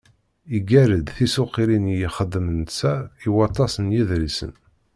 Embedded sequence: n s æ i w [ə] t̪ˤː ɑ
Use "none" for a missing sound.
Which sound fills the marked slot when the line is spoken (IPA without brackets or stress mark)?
ɑ